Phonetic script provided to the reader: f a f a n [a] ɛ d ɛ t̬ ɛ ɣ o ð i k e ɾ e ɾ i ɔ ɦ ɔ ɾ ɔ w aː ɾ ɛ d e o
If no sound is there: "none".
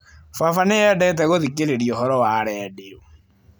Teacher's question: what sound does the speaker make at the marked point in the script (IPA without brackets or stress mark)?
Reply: e